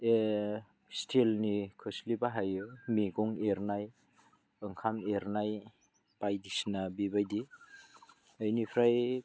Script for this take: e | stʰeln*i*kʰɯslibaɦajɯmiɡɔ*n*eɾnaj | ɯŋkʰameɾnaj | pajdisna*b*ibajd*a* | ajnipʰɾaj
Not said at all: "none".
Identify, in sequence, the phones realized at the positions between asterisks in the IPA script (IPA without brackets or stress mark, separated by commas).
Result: i, ŋ, b, i